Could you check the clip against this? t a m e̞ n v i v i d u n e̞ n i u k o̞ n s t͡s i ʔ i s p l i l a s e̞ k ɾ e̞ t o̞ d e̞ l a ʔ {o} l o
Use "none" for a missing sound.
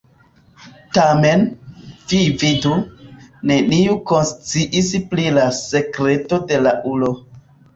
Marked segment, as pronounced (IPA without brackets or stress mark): u